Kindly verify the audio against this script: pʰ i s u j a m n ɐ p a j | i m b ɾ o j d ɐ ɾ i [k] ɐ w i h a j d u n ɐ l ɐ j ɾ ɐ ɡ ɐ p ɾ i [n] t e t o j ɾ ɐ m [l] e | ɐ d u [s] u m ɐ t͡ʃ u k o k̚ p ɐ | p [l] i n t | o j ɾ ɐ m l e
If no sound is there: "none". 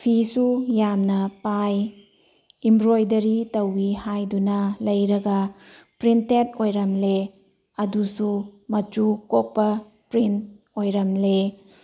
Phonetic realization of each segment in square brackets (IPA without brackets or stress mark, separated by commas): t, n, l, s, ɾ